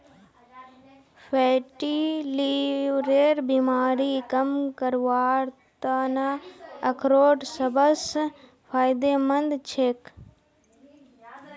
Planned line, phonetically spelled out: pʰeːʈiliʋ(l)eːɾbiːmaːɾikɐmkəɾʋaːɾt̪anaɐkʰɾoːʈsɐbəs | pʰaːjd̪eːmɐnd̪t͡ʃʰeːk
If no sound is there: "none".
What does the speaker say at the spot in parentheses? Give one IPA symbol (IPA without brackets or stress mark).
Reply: ɾ